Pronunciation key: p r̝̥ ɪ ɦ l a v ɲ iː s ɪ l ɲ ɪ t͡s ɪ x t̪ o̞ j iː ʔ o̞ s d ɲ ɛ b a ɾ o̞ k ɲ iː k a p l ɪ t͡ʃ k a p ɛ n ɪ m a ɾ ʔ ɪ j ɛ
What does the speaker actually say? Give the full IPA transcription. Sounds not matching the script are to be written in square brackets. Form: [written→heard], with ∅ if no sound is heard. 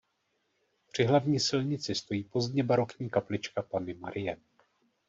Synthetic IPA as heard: p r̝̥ ɪ ɦ l a v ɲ iː s ɪ l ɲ ɪ t͡s ɪ [x→s] t̪ o̞ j iː [ʔ→p] o̞ [s→z] d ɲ ɛ b a ɾ o̞ k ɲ iː k a p l ɪ t͡ʃ k a p [ɛ→a] n ɪ m a ɾ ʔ ɪ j ɛ

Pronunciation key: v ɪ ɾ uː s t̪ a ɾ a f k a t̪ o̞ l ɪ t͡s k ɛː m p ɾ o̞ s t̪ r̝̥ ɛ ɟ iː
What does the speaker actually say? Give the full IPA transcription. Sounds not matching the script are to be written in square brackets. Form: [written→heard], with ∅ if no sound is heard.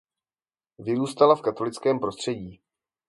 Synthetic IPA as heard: v ɪ ɾ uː s t̪ a [ɾ→l] a f k a t̪ o̞ l ɪ t͡s k ɛː m p ɾ o̞ s t̪ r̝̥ ɛ ɟ iː

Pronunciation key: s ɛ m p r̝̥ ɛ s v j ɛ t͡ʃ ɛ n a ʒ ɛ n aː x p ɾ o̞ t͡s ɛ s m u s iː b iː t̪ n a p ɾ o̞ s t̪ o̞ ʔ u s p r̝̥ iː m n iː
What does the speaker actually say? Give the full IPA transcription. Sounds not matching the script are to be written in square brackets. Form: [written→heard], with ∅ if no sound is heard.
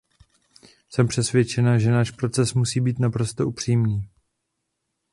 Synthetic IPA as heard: s ɛ m p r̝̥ ɛ s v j ɛ t͡ʃ ɛ n a ʒ ɛ n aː [x→ʃ] p ɾ o̞ t͡s ɛ s m u s iː b iː t̪ n a p ɾ o̞ s t̪ o̞ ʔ u [s→∅] p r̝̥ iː m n iː

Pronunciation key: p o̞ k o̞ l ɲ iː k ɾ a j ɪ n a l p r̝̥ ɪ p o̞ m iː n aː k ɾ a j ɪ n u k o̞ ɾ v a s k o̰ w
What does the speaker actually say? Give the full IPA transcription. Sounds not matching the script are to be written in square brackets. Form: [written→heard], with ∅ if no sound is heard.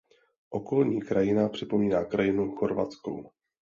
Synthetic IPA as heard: [p→ʔ] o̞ k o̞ l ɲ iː k ɾ a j ɪ n a [l→∅] p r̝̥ ɪ p o̞ m iː n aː k ɾ a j ɪ n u [k→x] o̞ ɾ v a [s→t͡s] k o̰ w

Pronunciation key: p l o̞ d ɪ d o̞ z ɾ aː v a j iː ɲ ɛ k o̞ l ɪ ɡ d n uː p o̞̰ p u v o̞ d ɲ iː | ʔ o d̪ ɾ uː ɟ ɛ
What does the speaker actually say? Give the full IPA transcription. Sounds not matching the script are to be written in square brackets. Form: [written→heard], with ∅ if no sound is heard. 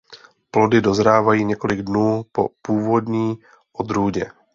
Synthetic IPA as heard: p l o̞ d ɪ d o̞ z ɾ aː v a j iː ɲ ɛ k o̞ l ɪ ɡ d n uː p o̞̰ p [u→uː] v o̞ d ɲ iː | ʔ o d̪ ɾ uː ɟ ɛ

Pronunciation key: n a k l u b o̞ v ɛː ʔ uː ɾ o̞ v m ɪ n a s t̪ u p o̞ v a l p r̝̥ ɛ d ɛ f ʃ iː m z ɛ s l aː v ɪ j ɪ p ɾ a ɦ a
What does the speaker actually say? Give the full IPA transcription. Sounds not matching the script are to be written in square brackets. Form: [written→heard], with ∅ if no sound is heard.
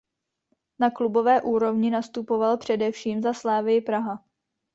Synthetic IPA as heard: n a k l u b o̞ v ɛː ʔ uː ɾ o̞ v [m→ɲ] ɪ n a s t̪ u p o̞ v a l p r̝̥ ɛ d ɛ f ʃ iː m z [ɛ→a] s l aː v ɪ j ɪ p ɾ a ɦ a

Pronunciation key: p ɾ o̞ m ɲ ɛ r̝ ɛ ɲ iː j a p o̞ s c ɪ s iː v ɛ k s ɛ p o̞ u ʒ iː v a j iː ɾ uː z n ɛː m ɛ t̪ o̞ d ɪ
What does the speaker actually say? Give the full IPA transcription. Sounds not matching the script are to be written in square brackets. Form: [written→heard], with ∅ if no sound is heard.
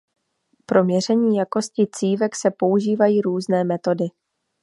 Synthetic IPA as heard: p ɾ o̞ m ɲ ɛ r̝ ɛ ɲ iː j a [p→k] o̞ s c ɪ [s→t͡s] iː v ɛ k s ɛ p o̞ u ʒ iː v a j iː ɾ uː z n ɛː m ɛ t̪ o̞ d ɪ

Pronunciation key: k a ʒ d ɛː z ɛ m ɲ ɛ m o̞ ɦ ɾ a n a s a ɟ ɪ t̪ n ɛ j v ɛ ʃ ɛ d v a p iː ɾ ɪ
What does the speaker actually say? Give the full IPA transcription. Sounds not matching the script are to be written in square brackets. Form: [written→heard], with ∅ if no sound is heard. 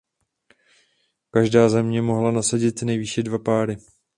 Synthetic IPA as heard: k a ʒ d [ɛː→aː] z ɛ m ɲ ɛ m o̞ ɦ [ɾ→l] a n a s a ɟ ɪ t̪ n ɛ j v [ɛ→i] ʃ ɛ d v a p [iː→aː] ɾ ɪ

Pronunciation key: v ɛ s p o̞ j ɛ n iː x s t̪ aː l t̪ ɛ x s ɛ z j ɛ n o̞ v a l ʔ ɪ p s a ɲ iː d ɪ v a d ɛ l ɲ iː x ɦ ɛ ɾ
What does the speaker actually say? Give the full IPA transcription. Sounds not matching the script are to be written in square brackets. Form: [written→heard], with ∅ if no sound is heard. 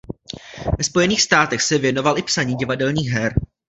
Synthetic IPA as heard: v ɛ s p o̞ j ɛ n iː x s t̪ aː [l→∅] t̪ ɛ x s ɛ [z→v] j ɛ n o̞ v a l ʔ ɪ p s a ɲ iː [d→ɟ] ɪ v a d ɛ l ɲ iː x ɦ ɛ ɾ

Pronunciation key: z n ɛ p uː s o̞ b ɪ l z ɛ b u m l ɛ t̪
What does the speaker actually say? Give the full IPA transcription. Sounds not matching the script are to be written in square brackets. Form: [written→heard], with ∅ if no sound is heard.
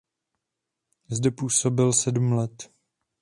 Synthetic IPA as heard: z [n→d] ɛ p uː s o̞ b ɪ l [z→s] ɛ [b→d] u m l ɛ t̪

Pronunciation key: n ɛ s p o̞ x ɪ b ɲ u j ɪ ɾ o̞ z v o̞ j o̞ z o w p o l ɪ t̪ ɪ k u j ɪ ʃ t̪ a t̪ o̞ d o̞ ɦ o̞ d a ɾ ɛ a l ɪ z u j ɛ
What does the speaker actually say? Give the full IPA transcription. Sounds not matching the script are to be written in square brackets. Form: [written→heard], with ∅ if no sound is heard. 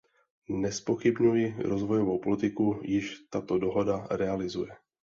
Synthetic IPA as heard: n ɛ s p o̞ x ɪ b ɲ u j ɪ ɾ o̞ z v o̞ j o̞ [z→v] o w p o l ɪ t̪ ɪ k u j ɪ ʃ t̪ a t̪ o̞ d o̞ ɦ o̞ d a ɾ ɛ a l ɪ z u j ɛ

